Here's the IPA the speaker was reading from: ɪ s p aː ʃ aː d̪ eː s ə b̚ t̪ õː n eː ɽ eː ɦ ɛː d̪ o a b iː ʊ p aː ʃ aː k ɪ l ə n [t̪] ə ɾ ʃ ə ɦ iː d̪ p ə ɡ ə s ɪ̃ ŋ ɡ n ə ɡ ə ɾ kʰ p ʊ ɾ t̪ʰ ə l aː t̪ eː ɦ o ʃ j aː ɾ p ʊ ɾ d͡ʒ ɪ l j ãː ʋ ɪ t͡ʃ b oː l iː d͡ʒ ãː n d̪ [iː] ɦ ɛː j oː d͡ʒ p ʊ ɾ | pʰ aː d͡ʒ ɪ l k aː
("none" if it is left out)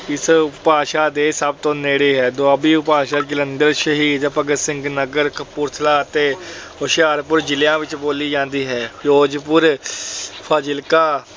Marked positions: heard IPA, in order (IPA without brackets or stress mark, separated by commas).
d̪, iː